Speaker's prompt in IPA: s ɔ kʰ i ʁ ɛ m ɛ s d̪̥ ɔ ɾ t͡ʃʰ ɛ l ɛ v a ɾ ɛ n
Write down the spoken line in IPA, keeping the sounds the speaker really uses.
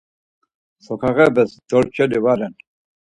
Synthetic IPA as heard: s ɔ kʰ a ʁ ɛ b ɛ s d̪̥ ɔ ɾ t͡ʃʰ ɛ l i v a ɾ ɛ n